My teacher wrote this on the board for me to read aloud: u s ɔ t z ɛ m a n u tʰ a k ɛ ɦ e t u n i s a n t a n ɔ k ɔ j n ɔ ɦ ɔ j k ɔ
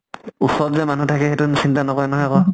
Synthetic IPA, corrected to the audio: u s ɔ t z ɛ m a n u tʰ a k ɛ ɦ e t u n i s i n t a n ɔ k ɔ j n ɔ ɦ ɔ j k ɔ